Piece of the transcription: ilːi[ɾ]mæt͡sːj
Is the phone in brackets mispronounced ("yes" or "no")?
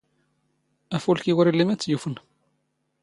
yes